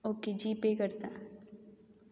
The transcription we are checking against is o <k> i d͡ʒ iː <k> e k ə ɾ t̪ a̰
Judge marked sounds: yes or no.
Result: yes, no

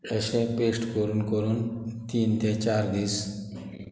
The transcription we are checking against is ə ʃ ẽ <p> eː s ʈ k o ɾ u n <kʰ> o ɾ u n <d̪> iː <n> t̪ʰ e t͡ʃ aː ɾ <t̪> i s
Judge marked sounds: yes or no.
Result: yes, no, no, yes, no

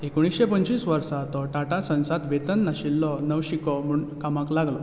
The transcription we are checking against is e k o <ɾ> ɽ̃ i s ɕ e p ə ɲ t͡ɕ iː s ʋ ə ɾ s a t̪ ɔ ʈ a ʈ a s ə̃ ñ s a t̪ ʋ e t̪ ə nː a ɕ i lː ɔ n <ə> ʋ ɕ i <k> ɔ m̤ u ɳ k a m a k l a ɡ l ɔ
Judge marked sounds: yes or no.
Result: no, yes, yes

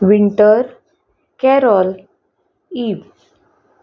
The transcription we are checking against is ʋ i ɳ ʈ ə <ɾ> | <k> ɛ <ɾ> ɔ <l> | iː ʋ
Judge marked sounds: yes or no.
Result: yes, yes, yes, yes

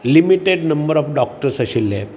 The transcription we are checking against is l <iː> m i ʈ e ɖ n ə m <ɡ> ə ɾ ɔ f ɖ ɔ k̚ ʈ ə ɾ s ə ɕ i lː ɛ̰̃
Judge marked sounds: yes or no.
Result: no, no

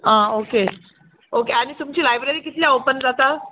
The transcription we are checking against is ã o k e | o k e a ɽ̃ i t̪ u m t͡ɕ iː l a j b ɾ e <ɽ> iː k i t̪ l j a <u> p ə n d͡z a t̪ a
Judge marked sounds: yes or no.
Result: no, no

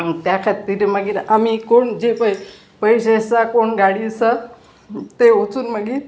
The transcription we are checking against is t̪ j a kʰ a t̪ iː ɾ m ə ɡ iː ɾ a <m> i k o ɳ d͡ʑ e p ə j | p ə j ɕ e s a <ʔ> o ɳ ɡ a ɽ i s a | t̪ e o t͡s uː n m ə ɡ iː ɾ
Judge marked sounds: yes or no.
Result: yes, no

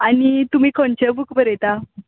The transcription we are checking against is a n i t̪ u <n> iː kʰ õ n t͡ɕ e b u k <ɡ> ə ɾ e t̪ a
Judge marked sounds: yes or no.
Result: no, no

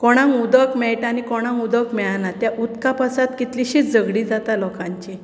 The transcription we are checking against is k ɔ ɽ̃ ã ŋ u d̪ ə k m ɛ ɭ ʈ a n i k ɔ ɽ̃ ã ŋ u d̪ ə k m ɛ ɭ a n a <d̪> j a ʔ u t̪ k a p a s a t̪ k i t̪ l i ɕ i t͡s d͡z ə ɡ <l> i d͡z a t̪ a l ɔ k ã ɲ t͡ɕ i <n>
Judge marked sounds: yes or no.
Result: no, no, no

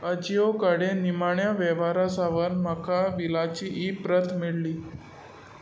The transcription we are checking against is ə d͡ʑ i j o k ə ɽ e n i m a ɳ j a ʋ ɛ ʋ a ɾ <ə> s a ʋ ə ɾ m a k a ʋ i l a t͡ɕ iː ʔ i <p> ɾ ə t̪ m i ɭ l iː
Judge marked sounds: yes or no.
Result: no, yes

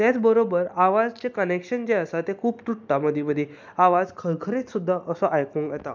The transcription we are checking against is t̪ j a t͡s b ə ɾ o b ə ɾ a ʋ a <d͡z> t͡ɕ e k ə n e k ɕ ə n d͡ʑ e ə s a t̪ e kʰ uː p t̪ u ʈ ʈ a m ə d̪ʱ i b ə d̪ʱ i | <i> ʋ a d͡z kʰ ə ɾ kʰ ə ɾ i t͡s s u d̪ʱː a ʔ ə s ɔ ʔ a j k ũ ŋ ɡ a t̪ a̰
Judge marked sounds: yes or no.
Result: yes, no

